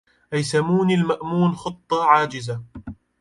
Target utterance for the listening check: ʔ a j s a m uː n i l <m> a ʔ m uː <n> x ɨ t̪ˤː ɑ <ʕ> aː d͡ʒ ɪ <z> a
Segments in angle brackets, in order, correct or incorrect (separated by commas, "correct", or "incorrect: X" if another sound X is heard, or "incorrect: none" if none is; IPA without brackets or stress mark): correct, correct, correct, correct